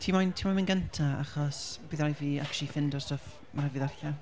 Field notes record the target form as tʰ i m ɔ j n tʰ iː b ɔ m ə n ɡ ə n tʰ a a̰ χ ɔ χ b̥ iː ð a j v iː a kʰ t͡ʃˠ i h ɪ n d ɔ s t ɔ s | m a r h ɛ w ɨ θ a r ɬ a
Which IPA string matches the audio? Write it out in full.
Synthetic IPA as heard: tʰ i m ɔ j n tʰ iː m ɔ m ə n ɡ ə n tʰ a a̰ χ ɔ s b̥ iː ð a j v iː a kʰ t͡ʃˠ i f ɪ n d ɔ s t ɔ f | m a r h ɛ v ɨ ð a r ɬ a